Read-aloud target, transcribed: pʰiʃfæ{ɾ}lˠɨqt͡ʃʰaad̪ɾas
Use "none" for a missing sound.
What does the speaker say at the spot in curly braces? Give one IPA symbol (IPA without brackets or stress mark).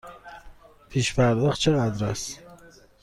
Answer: ɾ